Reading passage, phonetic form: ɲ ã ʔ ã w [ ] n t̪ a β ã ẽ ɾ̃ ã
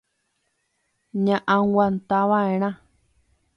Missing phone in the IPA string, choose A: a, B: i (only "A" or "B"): A